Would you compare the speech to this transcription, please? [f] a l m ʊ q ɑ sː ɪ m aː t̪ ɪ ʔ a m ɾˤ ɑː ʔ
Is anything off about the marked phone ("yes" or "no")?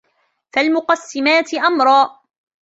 no